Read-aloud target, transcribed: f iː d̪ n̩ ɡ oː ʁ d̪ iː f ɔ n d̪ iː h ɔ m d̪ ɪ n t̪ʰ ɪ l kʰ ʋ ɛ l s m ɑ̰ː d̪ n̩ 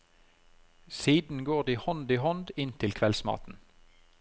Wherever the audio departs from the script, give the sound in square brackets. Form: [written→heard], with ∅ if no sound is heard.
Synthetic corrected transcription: [f→s] iː d̪ n̩ ɡ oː ʁ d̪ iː [f→h] ɔ n d̪ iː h ɔ [m→n] d̪ ɪ n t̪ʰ ɪ l kʰ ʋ ɛ l s m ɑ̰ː [d̪→t̪] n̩